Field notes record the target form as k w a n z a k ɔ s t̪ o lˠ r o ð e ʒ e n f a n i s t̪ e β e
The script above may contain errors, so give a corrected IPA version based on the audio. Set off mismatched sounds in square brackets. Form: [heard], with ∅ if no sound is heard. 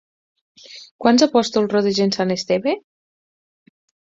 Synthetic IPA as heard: k w a n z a [p] ɔ s t̪ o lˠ r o ð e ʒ e n [s] a n [e] s t̪ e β e